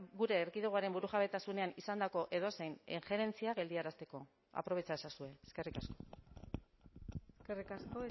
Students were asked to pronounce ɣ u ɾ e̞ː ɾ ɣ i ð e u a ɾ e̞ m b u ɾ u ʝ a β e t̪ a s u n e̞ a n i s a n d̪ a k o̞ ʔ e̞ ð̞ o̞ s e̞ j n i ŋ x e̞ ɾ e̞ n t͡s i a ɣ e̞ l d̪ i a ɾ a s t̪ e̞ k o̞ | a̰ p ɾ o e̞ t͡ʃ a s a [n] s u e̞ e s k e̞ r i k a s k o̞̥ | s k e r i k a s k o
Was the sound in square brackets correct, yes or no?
no